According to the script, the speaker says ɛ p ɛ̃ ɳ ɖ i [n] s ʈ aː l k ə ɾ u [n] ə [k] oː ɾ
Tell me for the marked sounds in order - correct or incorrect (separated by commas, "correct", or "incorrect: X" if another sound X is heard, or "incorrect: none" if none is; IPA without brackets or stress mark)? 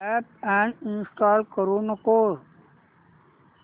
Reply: correct, correct, correct